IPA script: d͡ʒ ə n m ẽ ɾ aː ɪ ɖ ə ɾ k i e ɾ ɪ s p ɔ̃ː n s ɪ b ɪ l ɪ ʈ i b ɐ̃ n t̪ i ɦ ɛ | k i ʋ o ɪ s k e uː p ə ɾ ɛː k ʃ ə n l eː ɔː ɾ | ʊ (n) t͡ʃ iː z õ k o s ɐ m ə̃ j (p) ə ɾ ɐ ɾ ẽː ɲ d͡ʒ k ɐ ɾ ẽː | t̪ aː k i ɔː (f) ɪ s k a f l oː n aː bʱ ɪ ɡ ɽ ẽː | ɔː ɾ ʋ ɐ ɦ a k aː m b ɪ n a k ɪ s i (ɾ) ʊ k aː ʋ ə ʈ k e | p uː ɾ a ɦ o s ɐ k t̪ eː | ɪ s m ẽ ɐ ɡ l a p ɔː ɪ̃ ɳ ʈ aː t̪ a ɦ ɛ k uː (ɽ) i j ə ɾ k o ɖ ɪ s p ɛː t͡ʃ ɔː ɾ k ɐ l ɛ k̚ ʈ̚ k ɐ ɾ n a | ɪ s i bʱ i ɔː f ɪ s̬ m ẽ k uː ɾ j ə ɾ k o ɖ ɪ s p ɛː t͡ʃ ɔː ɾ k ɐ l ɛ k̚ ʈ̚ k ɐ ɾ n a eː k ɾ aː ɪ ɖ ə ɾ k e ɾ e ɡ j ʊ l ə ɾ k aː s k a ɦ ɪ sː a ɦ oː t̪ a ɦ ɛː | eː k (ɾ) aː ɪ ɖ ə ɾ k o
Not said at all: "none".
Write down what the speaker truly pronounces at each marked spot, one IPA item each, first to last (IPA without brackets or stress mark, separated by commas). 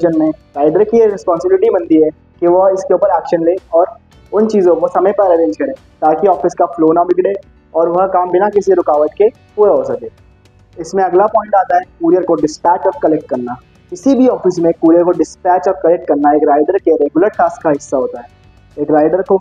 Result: n, p, f, ɾ, ɾ, ɾ